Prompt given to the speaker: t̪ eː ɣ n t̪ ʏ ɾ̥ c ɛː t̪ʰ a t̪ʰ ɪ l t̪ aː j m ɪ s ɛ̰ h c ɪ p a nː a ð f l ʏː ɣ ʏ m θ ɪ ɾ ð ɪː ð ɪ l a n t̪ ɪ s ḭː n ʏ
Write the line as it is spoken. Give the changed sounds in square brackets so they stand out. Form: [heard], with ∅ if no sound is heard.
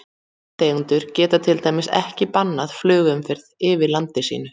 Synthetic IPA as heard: t̪ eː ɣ n t̪ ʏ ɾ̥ c ɛː [t̪] a t̪ʰ ɪ l t̪ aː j m ɪ s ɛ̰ h c ɪ p a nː a ð f l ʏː ɣ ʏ m [f] ɪ ɾ ð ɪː [v] ɪ l a n t̪ ɪ s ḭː n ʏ